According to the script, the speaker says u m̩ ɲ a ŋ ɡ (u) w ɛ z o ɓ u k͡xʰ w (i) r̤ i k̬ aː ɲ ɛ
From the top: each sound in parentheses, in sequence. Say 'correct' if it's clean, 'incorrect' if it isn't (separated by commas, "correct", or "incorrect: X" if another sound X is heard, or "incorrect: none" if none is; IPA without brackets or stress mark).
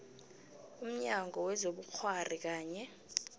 incorrect: ɔ, incorrect: a